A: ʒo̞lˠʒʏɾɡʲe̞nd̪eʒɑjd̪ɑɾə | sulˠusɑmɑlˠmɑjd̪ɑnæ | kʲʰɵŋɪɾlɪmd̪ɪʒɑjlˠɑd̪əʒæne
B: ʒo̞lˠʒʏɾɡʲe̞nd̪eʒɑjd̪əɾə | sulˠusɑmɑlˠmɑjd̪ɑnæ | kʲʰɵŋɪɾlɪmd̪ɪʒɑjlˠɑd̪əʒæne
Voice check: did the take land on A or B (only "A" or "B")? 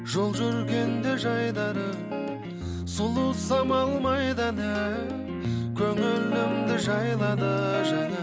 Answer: A